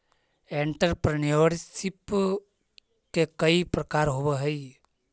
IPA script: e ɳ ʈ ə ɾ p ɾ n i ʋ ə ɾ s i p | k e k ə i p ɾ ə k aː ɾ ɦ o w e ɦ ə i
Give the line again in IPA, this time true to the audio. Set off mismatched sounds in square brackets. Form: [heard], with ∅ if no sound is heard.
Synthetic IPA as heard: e ɳ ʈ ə ɾ p ɾ n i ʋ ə ɾ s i p | k e k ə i p ɾ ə k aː ɾ ɦ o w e ɦ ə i